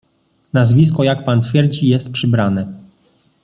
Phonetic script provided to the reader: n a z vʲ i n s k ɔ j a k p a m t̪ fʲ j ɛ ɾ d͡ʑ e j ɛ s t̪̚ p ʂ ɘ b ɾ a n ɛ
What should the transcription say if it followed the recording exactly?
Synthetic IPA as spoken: n a z vʲ i s k ɔ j a k p a n t̪ fʲ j ɛ ɾ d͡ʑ i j ɛ s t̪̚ p ʂ ɘ b ɾ a n ɛ